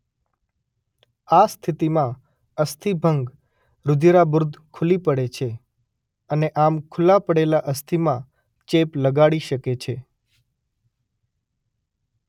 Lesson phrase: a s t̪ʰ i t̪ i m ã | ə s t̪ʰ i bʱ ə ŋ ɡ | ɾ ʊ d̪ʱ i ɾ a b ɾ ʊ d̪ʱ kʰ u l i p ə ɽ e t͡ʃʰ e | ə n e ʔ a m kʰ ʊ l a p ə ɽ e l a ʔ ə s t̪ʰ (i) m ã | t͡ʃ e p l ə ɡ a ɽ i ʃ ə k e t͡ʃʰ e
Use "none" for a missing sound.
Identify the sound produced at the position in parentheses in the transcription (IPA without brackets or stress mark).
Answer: i